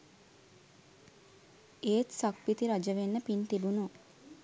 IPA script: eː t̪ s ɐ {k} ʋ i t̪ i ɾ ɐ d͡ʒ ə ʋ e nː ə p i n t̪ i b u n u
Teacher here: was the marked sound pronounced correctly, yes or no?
yes